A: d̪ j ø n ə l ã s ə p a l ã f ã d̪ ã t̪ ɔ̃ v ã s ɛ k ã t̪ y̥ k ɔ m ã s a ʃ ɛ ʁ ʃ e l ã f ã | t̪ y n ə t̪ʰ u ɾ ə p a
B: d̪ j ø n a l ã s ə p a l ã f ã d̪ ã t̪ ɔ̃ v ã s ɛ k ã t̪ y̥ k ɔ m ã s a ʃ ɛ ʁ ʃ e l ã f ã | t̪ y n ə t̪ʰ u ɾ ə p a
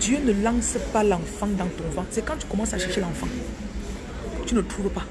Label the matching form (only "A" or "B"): A